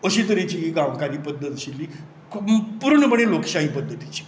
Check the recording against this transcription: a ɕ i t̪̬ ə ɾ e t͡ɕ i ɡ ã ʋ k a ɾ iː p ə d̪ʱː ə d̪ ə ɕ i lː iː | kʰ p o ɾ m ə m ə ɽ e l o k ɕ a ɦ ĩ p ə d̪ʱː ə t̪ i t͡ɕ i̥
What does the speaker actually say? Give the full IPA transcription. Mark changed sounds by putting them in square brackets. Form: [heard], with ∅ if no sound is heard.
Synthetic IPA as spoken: [ə] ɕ i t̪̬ ə ɾ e t͡ɕ i ɡ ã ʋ k a ɾ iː p ə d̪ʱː ə [t̪] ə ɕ i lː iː | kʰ p [u] ɾ [ɳ] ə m ə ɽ e l o k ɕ a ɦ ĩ p ə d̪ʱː ə t̪ i t͡ɕ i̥